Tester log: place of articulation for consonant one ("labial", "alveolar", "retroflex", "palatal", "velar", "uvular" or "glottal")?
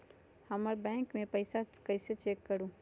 glottal